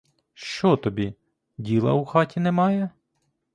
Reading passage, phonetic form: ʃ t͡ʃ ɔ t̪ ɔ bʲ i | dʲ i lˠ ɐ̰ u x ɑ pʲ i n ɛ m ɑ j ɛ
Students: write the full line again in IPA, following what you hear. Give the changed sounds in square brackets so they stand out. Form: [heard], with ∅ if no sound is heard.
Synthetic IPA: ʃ t͡ʃ ɔ t̪ ɔ bʲ i | dʲ i lˠ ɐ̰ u x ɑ [tʲ] i n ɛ m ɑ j ɛ